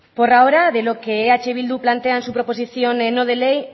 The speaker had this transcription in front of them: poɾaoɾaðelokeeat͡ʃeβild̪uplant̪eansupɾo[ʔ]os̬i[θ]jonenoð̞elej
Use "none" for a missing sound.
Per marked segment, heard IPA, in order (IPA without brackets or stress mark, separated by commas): p, θ